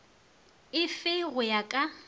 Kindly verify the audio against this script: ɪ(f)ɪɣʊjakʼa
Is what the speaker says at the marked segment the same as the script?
yes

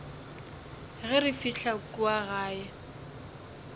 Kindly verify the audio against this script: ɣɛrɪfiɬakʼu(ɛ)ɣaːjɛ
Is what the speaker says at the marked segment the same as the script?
no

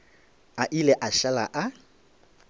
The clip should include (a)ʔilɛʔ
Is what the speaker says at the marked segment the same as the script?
yes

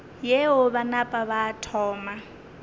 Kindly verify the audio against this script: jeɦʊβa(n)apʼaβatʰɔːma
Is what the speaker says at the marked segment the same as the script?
yes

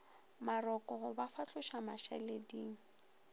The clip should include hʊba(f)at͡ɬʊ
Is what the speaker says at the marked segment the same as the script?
yes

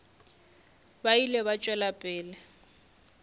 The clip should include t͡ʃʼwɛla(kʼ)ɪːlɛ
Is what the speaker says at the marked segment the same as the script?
no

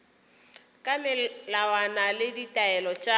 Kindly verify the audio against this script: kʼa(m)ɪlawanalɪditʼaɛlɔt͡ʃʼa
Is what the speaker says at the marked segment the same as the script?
yes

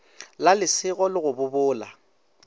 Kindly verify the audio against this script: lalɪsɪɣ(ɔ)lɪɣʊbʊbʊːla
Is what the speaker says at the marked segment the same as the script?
yes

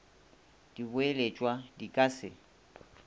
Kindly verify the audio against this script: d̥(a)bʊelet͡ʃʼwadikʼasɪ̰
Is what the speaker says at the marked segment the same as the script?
no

